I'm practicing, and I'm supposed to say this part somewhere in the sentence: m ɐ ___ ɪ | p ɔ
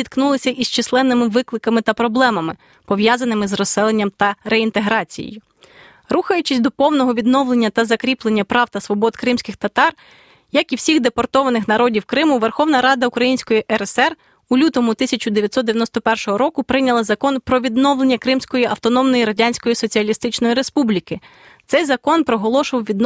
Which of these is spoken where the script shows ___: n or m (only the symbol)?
m